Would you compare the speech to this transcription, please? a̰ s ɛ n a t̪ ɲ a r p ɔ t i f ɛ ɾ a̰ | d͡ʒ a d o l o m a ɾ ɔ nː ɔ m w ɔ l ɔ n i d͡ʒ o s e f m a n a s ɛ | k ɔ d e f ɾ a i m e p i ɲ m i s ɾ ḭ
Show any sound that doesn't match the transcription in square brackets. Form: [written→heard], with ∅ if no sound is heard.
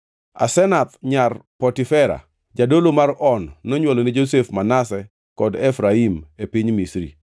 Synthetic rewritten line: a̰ s ɛ n a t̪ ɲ a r p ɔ t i f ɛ ɾ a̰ | d͡ʒ a d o l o m a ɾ ɔ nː ɔ [m→ɲ] w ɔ l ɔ n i d͡ʒ o s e f m a n a s ɛ | k ɔ d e f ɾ a i m e p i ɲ m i s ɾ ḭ